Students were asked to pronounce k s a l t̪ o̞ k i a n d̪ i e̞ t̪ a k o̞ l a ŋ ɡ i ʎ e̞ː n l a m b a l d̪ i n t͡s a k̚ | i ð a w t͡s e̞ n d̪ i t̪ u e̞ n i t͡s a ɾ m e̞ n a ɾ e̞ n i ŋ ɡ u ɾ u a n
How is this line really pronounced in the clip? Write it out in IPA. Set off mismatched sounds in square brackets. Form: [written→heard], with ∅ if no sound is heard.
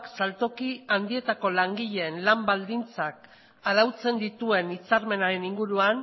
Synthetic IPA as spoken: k s a l t̪ o̞ k i a n d̪ i e̞ t̪ a k o̞ l a ŋ ɡ i ʎ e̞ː n l a m b a l d̪ i n t͡s a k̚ | [i→a] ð a w t͡s e̞ n d̪ i t̪ u e̞ n i t͡s a ɾ m e̞ n a ɾ e̞ n i ŋ ɡ u ɾ u a n